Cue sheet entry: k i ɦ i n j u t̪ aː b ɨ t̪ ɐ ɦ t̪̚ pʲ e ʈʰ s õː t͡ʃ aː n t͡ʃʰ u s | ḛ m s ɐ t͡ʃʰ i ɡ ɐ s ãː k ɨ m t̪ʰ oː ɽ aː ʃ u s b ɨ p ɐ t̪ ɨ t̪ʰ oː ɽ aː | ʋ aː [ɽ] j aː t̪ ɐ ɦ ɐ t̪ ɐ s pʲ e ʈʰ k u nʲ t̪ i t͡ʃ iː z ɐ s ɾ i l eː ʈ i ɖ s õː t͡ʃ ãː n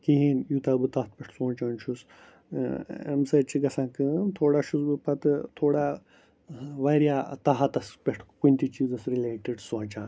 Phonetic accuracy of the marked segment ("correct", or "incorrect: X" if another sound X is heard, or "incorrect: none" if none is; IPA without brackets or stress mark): incorrect: ɾ